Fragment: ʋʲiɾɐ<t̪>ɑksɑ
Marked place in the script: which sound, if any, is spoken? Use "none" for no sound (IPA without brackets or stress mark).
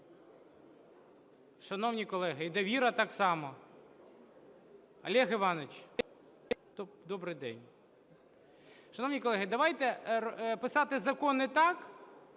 t̪